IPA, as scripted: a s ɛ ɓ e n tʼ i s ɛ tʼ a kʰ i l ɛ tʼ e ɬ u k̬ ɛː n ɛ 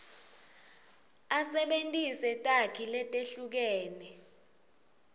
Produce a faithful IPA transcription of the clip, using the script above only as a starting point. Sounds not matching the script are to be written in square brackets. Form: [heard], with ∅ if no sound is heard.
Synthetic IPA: a s ɛ ɓ e n tʼ i s ɛ tʼ a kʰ i l ɛ tʼ e ɬ u k̬ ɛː n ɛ